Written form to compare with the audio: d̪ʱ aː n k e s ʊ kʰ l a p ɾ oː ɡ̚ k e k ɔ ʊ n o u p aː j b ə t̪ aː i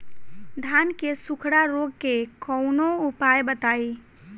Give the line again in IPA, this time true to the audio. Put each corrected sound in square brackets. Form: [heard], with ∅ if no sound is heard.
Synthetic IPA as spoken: d̪ʱ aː n k e s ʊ kʰ [ɽ] a [∅] ɾ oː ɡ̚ k e k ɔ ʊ n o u p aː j b ə t̪ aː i